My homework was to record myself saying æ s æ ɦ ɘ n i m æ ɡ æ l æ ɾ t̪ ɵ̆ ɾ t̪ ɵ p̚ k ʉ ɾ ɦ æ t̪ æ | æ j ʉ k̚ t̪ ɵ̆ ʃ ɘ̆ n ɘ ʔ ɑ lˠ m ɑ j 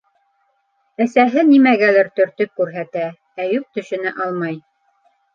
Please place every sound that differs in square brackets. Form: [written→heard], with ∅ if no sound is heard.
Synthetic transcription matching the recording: æ s æ ɦ ɘ n i m æ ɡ æ l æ ɾ t̪ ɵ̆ ɾ t̪ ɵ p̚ k ʉ ɾ ɦ æ t̪ æ | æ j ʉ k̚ t̪ ɵ̆ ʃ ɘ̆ n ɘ ʔ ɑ lˠ m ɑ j